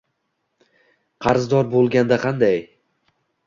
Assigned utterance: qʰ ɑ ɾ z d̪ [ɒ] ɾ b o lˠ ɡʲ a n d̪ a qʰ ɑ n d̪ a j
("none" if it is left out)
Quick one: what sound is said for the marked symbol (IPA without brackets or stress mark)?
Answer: ɒ